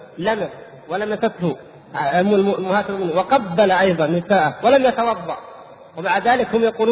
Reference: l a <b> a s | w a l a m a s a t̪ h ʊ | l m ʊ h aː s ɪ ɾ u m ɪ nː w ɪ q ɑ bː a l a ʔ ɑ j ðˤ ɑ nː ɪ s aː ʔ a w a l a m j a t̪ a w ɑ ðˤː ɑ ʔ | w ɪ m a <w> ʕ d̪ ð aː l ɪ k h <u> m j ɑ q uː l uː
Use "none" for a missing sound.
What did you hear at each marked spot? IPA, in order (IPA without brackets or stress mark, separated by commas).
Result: m, none, ʊ